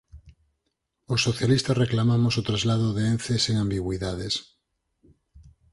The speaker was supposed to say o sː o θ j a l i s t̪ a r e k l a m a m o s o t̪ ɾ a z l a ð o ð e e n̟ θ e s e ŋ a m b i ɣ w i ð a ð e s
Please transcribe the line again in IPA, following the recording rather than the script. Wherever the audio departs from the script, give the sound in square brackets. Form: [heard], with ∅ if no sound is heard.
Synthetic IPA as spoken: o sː o θ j a l i s t̪ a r e k l a m a m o s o t̪ ɾ a z l a ð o ð e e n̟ θ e s e ŋ a m b i ɣ w i ð a ð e s